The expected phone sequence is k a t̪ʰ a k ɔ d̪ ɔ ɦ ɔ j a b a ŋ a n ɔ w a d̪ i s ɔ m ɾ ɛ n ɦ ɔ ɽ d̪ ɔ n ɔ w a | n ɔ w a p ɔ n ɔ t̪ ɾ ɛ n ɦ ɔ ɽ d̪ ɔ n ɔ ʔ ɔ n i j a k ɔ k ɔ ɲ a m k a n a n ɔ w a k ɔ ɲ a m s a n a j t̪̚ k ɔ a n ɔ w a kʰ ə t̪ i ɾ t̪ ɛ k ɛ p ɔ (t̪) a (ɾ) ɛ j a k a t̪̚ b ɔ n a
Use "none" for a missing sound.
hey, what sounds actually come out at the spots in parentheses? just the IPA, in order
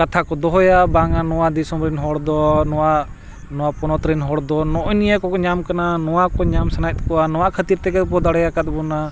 d̪, ɽ

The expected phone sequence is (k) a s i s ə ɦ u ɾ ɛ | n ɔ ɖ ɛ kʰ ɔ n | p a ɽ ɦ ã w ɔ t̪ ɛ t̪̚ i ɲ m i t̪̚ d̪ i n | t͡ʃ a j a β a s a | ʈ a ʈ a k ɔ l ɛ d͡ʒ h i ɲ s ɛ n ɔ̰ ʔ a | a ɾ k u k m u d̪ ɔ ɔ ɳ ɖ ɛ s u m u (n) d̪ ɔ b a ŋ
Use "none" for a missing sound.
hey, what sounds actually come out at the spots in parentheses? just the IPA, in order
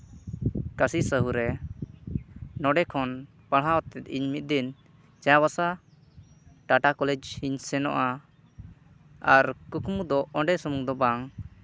k, ŋ

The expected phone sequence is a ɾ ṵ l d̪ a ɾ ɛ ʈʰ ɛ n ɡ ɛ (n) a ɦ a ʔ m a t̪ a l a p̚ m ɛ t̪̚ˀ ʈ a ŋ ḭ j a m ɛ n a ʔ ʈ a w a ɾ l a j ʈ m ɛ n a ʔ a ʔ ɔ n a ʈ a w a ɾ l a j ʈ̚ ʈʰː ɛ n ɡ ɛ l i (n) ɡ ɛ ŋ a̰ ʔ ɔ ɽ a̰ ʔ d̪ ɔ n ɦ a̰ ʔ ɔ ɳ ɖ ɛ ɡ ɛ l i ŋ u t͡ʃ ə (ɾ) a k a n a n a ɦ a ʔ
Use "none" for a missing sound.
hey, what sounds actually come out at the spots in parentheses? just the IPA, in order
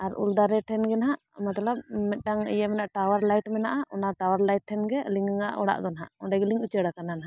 n, ŋ, ɽ

